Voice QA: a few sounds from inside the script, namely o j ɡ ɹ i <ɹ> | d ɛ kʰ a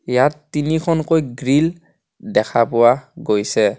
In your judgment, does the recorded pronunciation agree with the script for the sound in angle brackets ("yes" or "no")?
no